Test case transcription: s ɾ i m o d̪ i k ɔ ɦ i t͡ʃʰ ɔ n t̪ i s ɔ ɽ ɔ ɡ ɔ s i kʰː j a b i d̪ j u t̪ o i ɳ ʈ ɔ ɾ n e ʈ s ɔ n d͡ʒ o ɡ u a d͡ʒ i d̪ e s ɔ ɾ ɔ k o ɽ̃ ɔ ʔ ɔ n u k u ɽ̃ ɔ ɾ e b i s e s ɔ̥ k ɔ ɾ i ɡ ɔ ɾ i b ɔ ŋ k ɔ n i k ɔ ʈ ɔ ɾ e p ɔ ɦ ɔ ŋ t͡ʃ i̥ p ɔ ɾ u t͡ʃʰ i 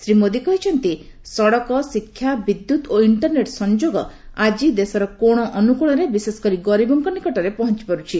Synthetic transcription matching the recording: s ɾ i m o d̪ i k ɔ ɦ i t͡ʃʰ ɔ n t̪ i s ɔ ɽ ɔ k ɔ s i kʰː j a b i d̪ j u t̪ o i ɳ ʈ ɔ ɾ n e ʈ s ɔ n d͡ʒ o ɡ ɔ a d͡ʒ i d̪ e s ɔ ɾ ɔ k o ɽ̃ ɔ ʔ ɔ n u k u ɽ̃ ɔ ɾ e b i s e s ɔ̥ k ɔ ɾ i ɡ ɔ ɾ i b ɔ ŋ k ɔ n i k ɔ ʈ ɔ ɾ e p ɔ ɦ ɔ n t͡ʃ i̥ p ɔ ɾ u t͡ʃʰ i